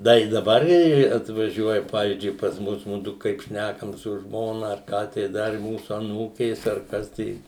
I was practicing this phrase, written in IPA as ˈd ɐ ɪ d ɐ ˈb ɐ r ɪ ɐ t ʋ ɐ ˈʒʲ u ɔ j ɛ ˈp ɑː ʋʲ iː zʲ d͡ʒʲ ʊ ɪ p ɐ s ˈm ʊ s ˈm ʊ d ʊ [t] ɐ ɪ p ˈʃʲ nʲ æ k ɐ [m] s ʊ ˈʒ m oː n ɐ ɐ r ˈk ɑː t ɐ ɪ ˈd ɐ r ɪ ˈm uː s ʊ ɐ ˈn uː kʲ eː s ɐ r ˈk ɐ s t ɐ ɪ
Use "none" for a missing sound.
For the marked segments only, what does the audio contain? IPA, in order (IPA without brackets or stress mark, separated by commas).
k, m